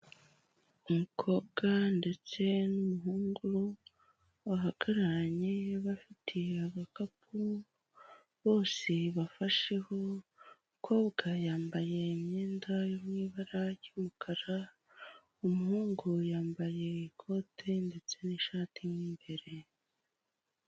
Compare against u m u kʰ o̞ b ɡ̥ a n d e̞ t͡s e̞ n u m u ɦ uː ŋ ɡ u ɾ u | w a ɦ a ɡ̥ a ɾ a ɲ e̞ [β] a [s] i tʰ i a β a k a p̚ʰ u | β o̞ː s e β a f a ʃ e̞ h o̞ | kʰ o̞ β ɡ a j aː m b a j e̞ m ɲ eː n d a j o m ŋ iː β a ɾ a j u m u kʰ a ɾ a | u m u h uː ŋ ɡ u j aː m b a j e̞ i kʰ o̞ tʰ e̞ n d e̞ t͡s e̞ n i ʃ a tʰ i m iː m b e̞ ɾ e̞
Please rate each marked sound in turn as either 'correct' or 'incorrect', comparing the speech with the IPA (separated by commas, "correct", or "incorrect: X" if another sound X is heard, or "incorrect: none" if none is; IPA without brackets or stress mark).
correct, incorrect: f